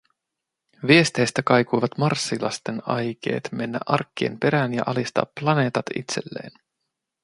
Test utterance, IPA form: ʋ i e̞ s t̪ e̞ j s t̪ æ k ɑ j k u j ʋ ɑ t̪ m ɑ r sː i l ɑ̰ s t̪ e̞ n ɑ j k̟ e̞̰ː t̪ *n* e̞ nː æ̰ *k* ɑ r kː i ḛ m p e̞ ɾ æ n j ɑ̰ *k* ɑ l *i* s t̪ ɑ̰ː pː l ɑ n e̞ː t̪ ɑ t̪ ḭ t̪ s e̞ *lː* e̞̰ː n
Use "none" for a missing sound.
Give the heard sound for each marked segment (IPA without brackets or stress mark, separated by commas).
m, ʔ, ʔ, i, lː